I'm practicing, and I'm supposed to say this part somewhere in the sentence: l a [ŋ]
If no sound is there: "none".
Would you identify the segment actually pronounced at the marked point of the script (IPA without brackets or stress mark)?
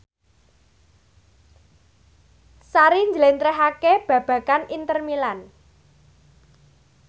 n